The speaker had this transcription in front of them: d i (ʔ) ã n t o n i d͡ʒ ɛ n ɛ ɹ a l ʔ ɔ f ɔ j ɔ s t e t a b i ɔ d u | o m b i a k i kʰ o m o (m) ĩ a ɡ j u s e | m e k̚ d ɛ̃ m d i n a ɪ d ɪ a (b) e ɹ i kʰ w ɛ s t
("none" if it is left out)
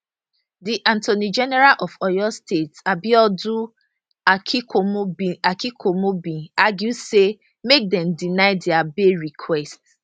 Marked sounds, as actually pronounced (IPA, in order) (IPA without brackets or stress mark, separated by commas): ʔ, b, b